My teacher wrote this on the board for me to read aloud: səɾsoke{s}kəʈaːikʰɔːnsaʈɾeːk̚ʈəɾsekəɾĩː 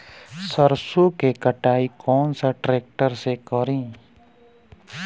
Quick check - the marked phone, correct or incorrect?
incorrect